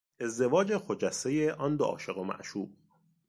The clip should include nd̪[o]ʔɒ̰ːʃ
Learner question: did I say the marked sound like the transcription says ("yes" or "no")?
yes